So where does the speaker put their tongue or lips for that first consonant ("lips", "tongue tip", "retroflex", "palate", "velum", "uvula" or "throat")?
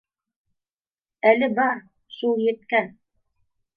tongue tip